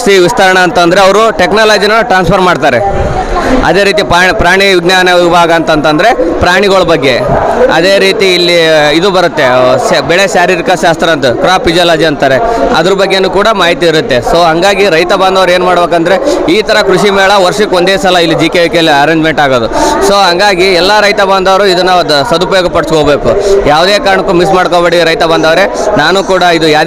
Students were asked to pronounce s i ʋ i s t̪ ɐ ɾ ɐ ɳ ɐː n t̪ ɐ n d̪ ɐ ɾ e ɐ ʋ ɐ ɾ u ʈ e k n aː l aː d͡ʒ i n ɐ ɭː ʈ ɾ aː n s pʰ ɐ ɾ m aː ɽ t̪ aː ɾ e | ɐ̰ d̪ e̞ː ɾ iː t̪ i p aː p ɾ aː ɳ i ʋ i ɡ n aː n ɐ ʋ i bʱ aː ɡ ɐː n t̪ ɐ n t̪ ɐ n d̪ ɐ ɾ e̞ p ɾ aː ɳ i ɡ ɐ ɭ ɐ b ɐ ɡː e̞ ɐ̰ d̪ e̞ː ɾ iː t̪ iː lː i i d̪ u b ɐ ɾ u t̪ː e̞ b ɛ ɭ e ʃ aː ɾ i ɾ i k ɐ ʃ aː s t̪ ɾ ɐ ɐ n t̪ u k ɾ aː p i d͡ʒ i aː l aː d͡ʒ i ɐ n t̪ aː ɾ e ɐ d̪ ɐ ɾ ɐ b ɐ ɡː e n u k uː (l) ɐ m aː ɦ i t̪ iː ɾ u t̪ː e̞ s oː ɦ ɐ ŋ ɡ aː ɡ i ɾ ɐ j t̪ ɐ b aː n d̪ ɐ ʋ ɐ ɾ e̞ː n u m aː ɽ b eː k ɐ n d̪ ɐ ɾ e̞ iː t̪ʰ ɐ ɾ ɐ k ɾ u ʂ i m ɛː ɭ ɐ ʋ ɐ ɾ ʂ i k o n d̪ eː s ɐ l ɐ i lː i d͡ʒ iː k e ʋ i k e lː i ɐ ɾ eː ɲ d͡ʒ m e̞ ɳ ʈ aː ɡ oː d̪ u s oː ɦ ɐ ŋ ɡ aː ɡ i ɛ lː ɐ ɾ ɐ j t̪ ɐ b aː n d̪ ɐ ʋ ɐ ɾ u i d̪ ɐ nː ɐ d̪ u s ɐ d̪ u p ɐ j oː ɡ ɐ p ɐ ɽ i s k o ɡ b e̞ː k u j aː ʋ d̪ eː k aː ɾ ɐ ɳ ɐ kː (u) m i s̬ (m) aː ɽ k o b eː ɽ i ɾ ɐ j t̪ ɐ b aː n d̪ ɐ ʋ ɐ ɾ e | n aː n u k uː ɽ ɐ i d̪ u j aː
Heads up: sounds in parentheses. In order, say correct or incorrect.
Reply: incorrect: ɽ, correct, correct

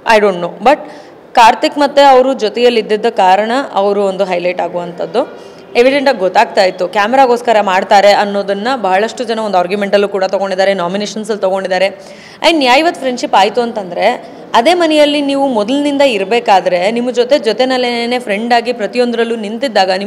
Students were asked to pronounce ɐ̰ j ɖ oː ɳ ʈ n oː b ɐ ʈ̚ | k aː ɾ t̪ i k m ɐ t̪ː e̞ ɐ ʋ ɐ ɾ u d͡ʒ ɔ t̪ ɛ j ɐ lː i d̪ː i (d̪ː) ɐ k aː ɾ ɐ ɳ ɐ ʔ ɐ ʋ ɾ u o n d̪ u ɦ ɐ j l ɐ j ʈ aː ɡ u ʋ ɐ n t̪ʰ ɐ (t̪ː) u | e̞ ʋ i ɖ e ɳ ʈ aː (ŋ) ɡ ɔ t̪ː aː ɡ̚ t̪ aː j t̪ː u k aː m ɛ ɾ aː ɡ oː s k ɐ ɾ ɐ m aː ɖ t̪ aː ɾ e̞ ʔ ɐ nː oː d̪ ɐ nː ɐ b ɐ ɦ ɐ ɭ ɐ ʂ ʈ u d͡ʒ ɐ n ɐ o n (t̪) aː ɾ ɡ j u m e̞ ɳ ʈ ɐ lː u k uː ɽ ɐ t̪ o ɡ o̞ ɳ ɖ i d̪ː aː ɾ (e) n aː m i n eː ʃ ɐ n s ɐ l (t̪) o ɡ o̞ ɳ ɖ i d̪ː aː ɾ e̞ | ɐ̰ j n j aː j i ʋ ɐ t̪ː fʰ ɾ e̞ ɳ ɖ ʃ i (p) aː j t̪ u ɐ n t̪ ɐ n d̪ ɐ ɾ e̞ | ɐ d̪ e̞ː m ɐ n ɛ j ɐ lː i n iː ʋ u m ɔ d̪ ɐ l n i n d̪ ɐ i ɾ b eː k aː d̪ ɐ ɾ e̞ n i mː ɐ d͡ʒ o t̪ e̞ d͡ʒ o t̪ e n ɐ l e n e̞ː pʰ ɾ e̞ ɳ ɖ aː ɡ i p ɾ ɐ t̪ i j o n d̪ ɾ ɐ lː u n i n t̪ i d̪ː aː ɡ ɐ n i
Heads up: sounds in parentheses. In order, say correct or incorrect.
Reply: correct, incorrect: d̪ː, incorrect: ɡ, incorrect: d̪, correct, correct, correct

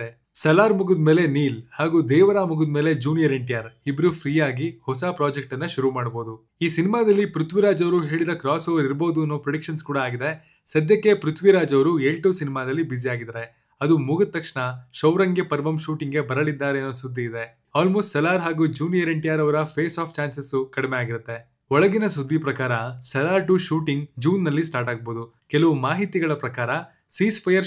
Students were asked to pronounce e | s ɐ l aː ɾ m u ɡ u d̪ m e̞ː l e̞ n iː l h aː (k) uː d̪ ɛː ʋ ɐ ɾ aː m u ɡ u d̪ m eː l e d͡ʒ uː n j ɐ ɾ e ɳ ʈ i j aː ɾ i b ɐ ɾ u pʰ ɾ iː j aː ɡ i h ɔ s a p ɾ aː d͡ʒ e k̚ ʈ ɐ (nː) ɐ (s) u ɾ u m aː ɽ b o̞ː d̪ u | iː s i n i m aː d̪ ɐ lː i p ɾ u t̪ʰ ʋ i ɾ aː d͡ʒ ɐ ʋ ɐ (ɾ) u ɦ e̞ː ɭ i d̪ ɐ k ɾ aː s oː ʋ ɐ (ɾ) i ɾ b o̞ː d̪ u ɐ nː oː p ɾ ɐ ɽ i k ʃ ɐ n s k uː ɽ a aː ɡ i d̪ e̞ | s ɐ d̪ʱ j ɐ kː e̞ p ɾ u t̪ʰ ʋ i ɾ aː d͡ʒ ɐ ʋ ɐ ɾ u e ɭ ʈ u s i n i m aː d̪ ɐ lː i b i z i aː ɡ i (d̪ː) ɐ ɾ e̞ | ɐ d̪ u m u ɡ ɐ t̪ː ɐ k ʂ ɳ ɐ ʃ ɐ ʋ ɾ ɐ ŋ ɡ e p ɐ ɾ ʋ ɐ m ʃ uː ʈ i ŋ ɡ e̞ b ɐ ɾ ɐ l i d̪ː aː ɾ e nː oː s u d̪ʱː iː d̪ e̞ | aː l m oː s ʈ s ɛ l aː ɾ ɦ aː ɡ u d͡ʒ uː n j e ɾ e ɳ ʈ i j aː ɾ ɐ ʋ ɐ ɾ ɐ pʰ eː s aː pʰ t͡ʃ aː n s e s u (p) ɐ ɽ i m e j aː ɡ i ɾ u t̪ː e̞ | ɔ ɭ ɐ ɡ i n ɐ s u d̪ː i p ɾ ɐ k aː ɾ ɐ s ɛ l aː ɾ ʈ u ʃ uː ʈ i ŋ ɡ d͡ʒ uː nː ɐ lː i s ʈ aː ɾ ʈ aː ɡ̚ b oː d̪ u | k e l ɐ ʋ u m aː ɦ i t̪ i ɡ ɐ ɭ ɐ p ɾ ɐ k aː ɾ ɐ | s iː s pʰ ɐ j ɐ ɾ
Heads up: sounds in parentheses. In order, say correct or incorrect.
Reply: incorrect: ɡ, correct, incorrect: ʃ, correct, correct, incorrect: d̪, incorrect: k

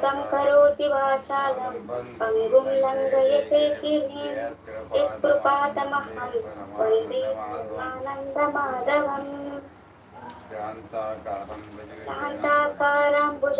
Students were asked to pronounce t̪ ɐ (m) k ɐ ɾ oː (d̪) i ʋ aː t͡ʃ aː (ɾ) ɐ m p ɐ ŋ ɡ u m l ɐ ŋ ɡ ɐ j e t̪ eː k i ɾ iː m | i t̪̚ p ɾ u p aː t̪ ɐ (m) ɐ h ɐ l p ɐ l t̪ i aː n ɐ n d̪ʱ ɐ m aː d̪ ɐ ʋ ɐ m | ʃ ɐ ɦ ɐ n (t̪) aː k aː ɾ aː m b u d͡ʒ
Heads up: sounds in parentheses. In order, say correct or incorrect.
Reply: correct, incorrect: t̪, incorrect: l, correct, correct

